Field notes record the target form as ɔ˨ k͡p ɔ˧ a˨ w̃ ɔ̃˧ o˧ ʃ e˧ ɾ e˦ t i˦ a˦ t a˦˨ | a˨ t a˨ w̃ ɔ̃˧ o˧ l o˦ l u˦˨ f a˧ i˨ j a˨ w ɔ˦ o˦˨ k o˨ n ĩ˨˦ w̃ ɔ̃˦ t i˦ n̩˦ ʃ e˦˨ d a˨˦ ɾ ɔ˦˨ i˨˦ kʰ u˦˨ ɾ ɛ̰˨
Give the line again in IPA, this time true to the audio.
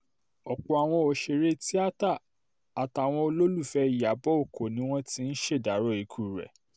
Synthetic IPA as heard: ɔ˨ k͡p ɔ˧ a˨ w̃ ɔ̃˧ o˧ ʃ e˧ ɾ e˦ t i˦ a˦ t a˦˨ | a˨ t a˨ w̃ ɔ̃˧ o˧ l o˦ l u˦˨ f ɛ˧ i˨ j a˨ b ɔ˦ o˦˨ k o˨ n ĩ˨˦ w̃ ɔ̃˦ t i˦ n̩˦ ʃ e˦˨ d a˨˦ ɾ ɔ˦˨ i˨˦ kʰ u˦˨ ɾ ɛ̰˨

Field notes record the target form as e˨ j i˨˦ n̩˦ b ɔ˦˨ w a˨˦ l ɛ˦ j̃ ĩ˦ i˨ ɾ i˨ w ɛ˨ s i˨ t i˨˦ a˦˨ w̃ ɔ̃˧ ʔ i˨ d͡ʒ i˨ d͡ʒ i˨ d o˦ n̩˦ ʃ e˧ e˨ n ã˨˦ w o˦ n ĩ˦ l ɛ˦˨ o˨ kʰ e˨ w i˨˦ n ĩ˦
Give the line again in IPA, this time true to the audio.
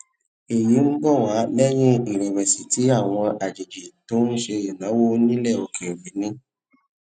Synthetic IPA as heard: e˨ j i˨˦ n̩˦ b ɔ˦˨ w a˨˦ l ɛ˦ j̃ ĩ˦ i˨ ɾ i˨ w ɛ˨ s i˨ t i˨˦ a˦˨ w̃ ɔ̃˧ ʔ a˨ d͡ʒ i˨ d͡ʒ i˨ t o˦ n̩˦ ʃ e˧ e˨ n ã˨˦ w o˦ n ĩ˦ l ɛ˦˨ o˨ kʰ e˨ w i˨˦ n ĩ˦

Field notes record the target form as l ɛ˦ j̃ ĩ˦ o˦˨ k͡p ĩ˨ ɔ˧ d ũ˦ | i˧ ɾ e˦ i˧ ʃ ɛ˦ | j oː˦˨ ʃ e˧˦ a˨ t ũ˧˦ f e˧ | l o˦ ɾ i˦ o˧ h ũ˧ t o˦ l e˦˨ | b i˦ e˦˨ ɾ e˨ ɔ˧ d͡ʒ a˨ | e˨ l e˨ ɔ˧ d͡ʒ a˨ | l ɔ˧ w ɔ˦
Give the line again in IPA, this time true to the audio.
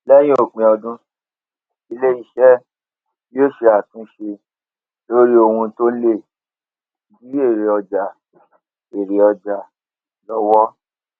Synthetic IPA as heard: l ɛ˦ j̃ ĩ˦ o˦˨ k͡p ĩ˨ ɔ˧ d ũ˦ | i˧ l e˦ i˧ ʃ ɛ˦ | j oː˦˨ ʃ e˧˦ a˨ t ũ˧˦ ʃ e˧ | l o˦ ɾ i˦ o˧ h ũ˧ t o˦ l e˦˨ | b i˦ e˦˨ ɾ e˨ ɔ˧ d͡ʒ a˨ | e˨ ɾ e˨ ɔ˧ d͡ʒ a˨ | l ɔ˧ w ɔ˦

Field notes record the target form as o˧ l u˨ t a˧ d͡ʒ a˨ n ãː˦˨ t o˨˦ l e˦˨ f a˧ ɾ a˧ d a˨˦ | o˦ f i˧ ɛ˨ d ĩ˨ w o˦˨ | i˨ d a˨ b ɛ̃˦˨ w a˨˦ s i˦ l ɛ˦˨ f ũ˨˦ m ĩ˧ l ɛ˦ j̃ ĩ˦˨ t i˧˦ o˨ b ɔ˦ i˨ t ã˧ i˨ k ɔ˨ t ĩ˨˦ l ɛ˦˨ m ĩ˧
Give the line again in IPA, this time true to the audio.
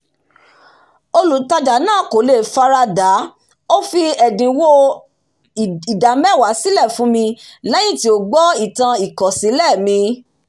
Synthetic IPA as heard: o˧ l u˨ t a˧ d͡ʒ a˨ n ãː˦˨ k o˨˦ l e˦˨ f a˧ ɾ a˧ d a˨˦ | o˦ f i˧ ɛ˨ d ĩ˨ w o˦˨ | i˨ d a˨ m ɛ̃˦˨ w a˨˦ s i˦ l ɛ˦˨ f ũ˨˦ m ĩ˧ l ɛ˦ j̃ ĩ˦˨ t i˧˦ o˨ ɡ͡b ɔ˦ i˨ t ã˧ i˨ k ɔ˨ s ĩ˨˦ l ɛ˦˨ m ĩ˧

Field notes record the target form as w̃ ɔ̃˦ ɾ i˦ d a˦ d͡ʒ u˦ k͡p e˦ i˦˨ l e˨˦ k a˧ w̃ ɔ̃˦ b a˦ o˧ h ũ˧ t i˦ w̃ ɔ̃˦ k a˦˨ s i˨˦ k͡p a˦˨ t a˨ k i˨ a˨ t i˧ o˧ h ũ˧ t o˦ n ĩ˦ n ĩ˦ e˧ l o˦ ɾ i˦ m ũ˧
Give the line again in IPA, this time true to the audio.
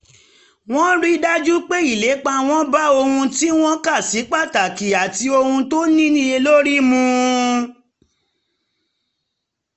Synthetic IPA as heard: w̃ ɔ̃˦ ɾ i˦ d a˦ d͡ʒ u˦ k͡p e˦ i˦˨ l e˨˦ k͡p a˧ w̃ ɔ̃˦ b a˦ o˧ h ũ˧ t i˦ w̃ ɔ̃˦ k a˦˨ s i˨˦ k͡p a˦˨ t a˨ k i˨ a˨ t i˧ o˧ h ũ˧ t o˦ n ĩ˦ n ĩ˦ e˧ l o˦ ɾ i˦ m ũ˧

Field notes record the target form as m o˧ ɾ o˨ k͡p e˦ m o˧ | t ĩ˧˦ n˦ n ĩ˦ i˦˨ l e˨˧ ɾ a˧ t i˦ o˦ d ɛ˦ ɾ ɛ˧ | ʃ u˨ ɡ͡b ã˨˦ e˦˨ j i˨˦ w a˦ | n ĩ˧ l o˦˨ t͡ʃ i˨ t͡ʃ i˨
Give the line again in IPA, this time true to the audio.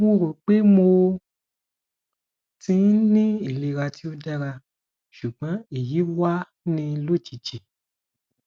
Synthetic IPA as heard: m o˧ ɾ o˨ k͡p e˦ m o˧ | t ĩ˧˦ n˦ n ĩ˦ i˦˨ l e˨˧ ɾ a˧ t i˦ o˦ d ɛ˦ ɾ a˧ | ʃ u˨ ɡ͡b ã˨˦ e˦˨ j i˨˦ w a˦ | n ĩ˧ l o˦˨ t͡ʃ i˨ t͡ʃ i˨

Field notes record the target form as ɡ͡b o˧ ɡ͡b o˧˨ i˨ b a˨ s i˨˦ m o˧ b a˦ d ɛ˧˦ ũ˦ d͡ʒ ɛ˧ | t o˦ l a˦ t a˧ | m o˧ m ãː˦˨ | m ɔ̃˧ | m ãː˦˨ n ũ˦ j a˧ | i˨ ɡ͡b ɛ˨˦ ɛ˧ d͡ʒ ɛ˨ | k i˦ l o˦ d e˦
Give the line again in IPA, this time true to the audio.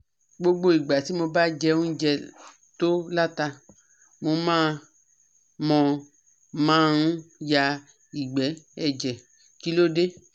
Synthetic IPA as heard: ɡ͡b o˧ ɡ͡b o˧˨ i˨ ɡ͡b a˨ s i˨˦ m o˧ b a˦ d͡ʒ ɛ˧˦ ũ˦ d͡ʒ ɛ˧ | t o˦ l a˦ t a˧ | m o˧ m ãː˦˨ | m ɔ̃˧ | m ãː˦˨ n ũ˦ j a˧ | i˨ ɡ͡b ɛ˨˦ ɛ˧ d͡ʒ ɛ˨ | k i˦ l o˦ d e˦

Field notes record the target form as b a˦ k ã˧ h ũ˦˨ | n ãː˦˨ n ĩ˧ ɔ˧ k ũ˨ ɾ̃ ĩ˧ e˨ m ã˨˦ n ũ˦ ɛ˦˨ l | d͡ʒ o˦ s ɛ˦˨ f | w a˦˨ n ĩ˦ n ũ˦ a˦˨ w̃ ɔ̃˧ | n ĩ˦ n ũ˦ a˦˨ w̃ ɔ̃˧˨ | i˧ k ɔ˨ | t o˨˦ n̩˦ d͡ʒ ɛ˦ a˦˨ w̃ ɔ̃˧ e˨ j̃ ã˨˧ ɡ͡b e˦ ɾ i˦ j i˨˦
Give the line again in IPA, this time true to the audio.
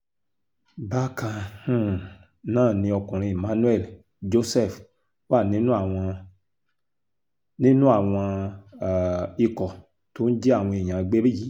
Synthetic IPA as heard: b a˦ k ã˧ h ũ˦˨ | n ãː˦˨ n ĩ˧ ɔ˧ k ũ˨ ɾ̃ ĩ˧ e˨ m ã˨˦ n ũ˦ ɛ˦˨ l | d͡ʒ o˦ s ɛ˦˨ f | w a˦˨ n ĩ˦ n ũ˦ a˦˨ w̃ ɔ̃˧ | n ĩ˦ n ũ˦ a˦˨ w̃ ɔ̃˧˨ | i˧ k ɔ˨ | t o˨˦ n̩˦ d͡ʒ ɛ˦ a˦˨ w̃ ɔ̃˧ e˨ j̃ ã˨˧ ɡ͡b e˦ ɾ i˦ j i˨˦

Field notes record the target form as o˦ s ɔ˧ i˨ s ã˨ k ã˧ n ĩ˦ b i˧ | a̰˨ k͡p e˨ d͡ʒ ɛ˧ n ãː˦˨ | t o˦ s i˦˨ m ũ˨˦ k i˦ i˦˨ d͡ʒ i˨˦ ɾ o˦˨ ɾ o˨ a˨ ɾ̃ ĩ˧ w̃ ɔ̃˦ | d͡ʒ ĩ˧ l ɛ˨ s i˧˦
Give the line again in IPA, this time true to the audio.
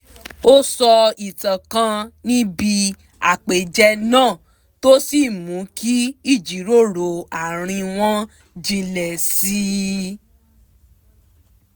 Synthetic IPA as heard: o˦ s ɔ˧ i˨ t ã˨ k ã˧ n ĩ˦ b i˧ | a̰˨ k͡p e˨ d͡ʒ ɛ˧ n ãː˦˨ | t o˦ s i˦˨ m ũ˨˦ k i˦ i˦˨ d͡ʒ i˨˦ ɾ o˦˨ ɾ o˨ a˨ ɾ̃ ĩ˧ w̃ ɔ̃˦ | d͡ʒ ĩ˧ l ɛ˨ s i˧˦

